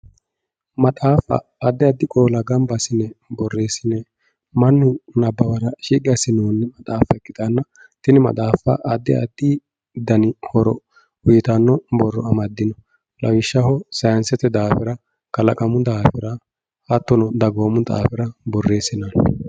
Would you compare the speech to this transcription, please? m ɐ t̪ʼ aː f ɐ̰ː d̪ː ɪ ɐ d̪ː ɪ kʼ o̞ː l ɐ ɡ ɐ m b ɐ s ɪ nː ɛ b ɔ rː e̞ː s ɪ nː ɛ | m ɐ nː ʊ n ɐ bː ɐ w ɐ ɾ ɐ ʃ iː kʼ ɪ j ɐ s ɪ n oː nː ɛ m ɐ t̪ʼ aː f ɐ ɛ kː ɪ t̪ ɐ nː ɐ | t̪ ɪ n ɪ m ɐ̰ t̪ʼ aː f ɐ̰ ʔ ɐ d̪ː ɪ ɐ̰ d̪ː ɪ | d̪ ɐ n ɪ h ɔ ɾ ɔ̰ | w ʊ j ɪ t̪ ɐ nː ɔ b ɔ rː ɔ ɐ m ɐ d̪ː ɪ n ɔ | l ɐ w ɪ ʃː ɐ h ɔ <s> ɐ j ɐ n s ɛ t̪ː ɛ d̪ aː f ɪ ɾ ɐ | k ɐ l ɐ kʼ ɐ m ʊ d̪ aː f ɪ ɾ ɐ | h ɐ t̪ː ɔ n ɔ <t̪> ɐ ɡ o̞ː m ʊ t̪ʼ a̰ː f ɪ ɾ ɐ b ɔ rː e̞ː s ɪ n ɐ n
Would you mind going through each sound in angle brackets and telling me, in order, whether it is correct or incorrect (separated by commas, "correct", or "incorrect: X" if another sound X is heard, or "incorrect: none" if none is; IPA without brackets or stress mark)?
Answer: correct, incorrect: d̪